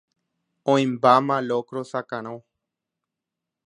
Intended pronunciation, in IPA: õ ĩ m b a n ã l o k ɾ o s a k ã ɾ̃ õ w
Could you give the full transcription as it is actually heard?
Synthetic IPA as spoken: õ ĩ m b a m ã l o k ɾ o s a k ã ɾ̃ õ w

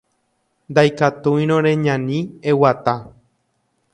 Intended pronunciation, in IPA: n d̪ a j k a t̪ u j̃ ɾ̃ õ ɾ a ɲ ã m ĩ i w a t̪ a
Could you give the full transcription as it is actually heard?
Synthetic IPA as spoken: n d̪ a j k a t̪ u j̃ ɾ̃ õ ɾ e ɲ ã n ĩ e w a t̪ a

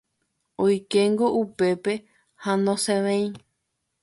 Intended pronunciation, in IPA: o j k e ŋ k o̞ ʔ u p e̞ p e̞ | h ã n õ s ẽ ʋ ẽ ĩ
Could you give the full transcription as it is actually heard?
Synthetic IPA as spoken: o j k e ŋ ɡ o̞ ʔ u p e̞ p e̞ | h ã n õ s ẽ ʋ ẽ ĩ

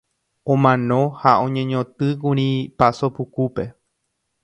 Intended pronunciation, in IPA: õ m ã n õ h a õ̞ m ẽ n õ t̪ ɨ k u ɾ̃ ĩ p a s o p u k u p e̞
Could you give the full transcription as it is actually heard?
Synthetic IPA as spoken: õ m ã n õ h a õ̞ ɲ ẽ ɲ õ t̪ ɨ k u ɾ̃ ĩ p a s o p u k u p e̞

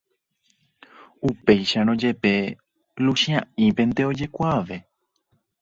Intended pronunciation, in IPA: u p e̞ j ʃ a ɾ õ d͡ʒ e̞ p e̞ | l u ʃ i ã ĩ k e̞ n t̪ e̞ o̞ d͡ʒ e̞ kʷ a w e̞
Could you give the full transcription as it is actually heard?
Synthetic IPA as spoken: u p e̞ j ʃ a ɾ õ d͡ʒ e̞ p e̞ | l u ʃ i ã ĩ p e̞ n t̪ e̞ o̞ d͡ʒ e̞ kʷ a ʋ e̞

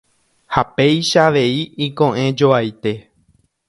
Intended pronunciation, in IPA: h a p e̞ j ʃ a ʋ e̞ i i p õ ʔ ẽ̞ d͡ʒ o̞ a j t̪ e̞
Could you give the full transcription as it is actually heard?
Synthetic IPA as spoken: h a p e̞ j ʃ a ʋ e̞ i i k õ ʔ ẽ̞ d͡ʒ o̞ a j t̪ e̞

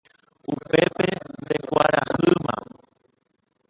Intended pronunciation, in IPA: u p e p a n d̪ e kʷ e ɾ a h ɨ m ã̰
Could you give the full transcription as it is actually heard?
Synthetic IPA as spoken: u p e p e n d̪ e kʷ a ɾ a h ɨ m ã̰

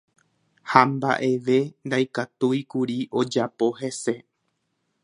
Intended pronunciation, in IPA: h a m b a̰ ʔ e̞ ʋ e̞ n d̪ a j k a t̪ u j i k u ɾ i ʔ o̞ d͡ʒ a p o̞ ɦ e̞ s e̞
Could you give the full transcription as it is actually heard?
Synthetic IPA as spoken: h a m b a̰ ʔ e̞ ʋ e̞ n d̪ a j k a t̪ u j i k u ɾ i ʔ o̞ d͡ʒ a p o̞ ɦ e̞ s e̞

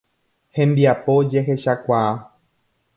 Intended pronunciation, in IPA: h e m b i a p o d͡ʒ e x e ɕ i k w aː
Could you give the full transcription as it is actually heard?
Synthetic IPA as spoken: h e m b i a p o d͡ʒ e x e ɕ a k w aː

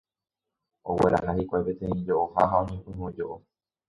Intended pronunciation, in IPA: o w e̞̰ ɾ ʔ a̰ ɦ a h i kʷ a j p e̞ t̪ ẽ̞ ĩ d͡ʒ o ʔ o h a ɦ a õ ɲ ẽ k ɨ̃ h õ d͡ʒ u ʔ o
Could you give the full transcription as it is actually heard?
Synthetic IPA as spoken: o w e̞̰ ɾ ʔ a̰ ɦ a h i kʷ a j p e̞ t̪ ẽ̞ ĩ d͡ʒ o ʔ o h a ɦ a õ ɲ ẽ p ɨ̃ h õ d͡ʒ o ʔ o

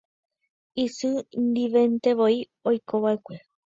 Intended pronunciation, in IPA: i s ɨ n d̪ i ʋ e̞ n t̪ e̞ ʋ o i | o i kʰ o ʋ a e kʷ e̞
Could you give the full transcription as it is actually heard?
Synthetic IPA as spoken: i s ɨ n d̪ i ʋ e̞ n t̪ e̞ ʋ o i | o j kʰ o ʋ a e kʷ e̞

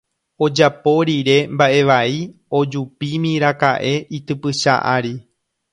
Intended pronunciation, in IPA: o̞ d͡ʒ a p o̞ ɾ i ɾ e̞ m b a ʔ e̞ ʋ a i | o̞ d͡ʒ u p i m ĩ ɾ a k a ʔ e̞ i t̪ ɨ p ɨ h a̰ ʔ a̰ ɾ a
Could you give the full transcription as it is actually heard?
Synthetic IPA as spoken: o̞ d͡ʒ a p o̞ ɾ i ɾ e̞ m b a ʔ e̞ ʋ a i | o̞ d͡ʒ u p i m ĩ ɾ a k a ʔ e̞ i t̪ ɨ p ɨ ʃ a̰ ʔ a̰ ɾ i

